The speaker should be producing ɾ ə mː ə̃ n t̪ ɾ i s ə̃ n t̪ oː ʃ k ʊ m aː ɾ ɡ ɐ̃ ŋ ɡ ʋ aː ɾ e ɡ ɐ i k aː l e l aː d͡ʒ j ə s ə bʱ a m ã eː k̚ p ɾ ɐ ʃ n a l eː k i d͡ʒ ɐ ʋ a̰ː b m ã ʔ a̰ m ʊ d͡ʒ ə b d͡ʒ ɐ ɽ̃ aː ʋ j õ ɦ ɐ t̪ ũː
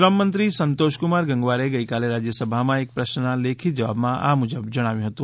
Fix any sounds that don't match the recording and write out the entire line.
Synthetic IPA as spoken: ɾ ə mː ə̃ n t̪ ɾ i s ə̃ n t̪ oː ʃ k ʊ m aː ɾ ɡ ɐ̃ ŋ ɡ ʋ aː ɾ e ɡ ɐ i k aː l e ɾ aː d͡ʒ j ə s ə bʱ a m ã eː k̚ p ɾ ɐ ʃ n a l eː kʰ i d͡ʒ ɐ ʋ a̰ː b m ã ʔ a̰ m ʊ d͡ʒ ə b d͡ʒ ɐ ɽ̃ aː ʋ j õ ɦ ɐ t̪ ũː